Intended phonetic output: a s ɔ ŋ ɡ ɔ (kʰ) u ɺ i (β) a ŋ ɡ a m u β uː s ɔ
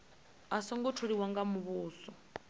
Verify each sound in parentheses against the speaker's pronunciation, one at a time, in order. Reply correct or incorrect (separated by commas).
incorrect, incorrect